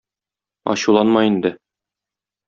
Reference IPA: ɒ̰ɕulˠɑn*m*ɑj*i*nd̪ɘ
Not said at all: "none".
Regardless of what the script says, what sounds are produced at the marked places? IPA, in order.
m, i

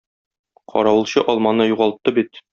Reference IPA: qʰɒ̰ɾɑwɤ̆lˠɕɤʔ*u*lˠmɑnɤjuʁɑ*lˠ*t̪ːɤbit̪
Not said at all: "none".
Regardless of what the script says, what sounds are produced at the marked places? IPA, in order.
ɒ, lˠ

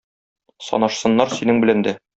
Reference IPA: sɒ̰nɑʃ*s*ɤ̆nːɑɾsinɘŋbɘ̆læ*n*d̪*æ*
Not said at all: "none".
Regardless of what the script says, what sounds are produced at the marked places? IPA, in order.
s, n, æ

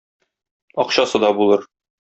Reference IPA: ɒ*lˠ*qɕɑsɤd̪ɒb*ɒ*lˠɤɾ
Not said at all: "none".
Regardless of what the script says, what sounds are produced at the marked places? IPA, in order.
none, u

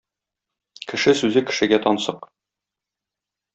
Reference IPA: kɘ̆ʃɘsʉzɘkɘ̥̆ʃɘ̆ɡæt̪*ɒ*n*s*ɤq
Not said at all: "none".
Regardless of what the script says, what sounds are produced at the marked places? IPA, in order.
ɒ, s

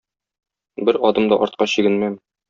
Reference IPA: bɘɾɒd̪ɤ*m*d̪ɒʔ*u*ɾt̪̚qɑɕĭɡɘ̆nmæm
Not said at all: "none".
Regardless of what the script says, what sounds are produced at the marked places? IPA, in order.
m, ɒ

